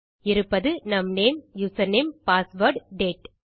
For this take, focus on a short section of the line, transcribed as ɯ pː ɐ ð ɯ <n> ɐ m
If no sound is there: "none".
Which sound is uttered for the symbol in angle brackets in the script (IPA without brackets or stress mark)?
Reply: n